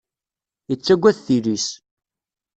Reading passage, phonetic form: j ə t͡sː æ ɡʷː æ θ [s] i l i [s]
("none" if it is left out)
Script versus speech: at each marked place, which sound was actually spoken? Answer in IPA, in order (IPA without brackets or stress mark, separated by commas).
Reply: θ, s